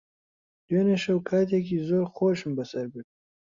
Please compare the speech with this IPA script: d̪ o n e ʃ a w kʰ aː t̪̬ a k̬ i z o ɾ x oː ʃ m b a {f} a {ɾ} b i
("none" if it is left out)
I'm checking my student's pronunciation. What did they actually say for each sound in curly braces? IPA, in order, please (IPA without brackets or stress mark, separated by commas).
s, ɾ